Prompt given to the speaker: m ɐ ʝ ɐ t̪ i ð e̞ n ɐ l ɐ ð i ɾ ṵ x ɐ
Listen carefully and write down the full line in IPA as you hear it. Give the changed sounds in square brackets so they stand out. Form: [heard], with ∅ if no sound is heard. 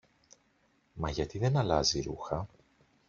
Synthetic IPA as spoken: m ɐ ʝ ɐ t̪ i ð e̞ n ɐ l ɐ [z] i ɾ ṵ x ɐ